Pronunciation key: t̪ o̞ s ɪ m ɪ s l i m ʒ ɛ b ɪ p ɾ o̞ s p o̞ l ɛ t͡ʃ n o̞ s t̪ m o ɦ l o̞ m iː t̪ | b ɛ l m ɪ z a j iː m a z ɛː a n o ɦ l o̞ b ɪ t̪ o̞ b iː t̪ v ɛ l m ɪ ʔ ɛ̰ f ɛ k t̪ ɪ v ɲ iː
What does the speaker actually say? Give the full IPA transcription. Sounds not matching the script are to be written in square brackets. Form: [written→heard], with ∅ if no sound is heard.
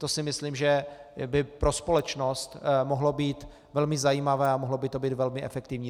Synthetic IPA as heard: t̪ o̞ s ɪ m ɪ s l i m ʒ ɛ b ɪ p ɾ o̞ s p o̞ l ɛ t͡ʃ n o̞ s t̪ m o ɦ l o̞ [m→b] iː t̪ | [b→v] ɛ l m ɪ z a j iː m a [z→v] ɛː a [n→m] o ɦ l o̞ b ɪ t̪ o̞ b iː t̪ v ɛ l m ɪ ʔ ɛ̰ f ɛ k t̪ ɪ v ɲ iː

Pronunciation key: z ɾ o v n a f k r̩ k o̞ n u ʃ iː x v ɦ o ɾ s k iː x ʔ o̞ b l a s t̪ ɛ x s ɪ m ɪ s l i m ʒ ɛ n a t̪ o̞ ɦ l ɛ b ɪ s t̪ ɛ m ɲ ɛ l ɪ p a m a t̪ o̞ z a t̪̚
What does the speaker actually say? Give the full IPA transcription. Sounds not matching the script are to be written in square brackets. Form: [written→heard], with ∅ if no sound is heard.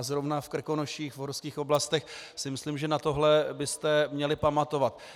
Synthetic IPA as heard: z ɾ o v n a f k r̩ k o̞ n [u→o] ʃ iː x v ɦ o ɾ s k iː x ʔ o̞ b l a s t̪ ɛ x s ɪ m ɪ s l i m ʒ ɛ n a t̪ o̞ ɦ l ɛ b ɪ s t̪ ɛ m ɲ ɛ l ɪ p a m a t̪ o̞ [z→v] a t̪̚

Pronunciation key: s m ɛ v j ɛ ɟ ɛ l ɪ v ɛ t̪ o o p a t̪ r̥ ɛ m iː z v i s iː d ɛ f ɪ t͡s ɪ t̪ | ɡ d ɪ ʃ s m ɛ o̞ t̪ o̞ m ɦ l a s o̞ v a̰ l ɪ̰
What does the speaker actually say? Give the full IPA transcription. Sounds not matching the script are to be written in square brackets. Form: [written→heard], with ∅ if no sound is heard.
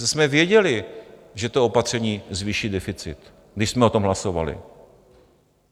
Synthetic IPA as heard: s m ɛ v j ɛ ɟ ɛ l ɪ [v→ʒ] ɛ t̪ o o p a t̪ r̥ ɛ [m→ɲ] iː z v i [s→ʃ] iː d ɛ f ɪ t͡s ɪ t̪ | ɡ d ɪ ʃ s m ɛ o̞ t̪ o̞ m ɦ l a s o̞ v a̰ l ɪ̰

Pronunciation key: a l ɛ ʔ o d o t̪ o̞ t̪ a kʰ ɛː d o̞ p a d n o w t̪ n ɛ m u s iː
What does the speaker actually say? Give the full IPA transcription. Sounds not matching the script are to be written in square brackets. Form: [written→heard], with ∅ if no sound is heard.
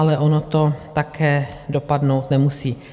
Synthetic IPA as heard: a l ɛ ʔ o [d→n] o t̪ o̞ t̪ a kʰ ɛː d o̞ p a d n o w t̪ n ɛ m u s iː

